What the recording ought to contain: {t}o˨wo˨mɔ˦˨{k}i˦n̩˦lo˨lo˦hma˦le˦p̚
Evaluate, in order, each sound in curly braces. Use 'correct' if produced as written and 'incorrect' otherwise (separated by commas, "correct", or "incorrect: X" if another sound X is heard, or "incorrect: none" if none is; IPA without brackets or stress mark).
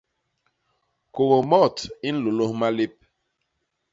incorrect: k, incorrect: t